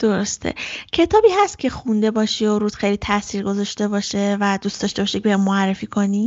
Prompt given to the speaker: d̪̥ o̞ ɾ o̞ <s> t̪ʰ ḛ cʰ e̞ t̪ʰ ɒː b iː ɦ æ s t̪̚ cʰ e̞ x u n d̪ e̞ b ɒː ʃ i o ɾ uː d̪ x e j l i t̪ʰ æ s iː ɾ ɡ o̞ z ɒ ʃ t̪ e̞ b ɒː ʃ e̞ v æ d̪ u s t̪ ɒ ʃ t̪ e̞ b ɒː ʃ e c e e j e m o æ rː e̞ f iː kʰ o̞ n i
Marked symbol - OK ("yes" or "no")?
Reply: yes